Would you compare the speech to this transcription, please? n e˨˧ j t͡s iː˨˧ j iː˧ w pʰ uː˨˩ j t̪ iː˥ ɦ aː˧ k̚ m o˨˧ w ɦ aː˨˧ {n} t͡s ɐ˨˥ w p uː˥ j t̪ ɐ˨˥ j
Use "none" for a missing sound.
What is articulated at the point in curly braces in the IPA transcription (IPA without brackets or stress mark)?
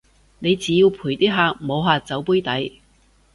none